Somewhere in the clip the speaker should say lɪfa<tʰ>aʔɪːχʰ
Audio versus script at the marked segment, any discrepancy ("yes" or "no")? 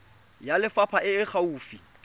yes